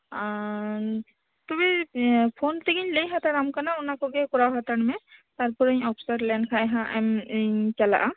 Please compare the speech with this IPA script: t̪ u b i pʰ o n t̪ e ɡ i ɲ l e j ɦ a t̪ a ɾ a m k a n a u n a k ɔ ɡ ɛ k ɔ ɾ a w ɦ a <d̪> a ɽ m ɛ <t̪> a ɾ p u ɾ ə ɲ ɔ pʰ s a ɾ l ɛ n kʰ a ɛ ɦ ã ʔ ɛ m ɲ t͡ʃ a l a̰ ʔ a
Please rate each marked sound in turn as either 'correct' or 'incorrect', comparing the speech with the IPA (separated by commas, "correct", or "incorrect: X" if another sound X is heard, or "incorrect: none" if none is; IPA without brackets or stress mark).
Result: incorrect: t̪, correct